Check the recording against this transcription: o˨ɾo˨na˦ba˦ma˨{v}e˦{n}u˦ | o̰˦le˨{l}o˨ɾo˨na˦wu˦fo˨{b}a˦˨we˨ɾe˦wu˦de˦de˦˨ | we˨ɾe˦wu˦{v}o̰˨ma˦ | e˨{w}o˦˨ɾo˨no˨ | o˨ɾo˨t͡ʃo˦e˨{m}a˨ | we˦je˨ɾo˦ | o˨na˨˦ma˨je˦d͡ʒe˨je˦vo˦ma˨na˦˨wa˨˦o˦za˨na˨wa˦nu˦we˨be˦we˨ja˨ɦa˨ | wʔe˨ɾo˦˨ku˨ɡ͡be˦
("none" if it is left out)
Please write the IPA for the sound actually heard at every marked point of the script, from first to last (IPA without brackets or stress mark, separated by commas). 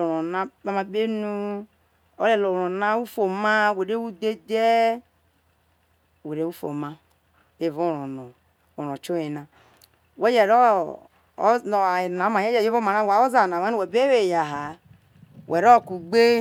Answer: b, n, l, m, f, v, n